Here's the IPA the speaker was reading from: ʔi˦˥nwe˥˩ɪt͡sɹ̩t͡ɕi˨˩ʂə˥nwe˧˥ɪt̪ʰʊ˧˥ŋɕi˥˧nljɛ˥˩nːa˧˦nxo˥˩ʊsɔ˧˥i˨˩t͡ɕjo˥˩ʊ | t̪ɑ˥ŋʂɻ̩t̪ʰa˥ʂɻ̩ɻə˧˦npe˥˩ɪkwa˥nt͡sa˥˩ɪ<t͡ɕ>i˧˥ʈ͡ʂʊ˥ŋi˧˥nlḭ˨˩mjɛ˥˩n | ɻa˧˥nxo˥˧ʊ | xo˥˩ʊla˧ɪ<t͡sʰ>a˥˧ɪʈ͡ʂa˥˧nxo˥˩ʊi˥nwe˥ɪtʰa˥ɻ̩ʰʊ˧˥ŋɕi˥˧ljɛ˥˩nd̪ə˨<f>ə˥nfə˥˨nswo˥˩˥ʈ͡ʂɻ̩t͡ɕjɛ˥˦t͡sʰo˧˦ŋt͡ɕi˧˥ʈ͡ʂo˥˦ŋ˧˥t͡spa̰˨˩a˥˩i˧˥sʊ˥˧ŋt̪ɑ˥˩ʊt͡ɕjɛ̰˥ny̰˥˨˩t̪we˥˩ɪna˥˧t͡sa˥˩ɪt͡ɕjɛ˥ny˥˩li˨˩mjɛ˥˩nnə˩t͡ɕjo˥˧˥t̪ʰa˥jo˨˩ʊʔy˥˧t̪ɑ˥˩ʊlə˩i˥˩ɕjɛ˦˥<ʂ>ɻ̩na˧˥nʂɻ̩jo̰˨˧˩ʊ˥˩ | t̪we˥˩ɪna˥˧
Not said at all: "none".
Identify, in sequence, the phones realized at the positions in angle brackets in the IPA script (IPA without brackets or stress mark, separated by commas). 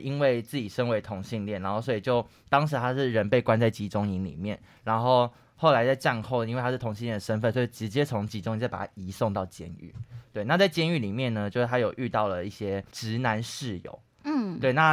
t͡ɕ, t͡s, ʂ, ʈ͡ʂ